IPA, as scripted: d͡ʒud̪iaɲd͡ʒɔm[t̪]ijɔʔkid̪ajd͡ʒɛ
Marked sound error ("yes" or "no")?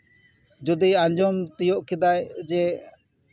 no